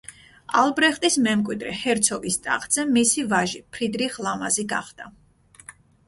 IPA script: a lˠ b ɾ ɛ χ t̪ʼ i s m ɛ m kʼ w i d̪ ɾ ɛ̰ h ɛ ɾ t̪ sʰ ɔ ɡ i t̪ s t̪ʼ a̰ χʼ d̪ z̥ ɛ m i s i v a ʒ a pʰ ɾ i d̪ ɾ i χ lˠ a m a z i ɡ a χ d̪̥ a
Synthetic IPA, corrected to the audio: a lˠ b ɾ ɛ χ t̪ʼ i s m ɛ m kʼ w i d̪ ɾ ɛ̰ h ɛ ɾ t̪ sʰ ɔ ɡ i s t̪ʼ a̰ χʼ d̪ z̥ ɛ m i s i v a ʒ i pʰ ɾ i d̪ ɾ i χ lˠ a m a z i ɡ a χ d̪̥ a